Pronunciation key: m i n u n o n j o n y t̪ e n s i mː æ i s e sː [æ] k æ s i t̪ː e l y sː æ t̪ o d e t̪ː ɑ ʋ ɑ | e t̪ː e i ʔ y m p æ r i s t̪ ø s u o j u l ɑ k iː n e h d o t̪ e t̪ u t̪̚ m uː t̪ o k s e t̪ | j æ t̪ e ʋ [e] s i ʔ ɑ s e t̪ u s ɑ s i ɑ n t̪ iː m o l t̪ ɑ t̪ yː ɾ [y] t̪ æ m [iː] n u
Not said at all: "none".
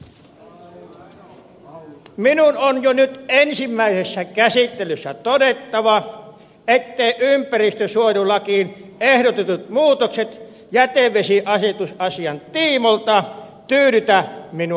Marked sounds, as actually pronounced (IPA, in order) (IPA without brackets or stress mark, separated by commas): æ, e, y, i